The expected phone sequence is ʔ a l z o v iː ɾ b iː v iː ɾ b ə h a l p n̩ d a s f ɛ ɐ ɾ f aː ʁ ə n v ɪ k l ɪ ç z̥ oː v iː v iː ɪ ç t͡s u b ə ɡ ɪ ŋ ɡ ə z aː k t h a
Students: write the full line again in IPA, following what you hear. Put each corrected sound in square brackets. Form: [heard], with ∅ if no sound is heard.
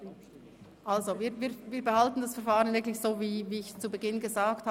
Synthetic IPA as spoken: ʔ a l z o v iː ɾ [v] iː v iː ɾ b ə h a l [t] n̩ d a s f ɛ ɐ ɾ f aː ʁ ə n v ɪ k l ɪ ç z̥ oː v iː v iː ɪ ç t͡s u b ə ɡ ɪ [n] ɡ ə z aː k t h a